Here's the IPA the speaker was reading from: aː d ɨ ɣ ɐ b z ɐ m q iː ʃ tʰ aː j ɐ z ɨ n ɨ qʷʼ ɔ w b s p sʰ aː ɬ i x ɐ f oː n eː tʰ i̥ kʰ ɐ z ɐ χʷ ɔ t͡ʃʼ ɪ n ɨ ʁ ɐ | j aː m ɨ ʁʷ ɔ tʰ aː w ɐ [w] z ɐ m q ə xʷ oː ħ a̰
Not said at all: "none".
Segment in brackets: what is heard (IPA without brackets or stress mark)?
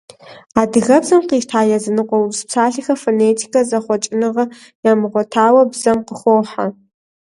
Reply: b